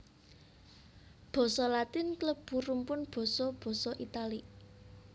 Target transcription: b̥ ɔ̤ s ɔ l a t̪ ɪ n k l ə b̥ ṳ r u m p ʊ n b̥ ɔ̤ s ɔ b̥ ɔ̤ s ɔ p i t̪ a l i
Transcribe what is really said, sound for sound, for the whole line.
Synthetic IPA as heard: b̥ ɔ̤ s ɔ l a t̪ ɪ n k l ə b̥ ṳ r u m p ʊ n b̥ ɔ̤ s ɔ b̥ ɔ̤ s ɔ ʔ i t̪ a l i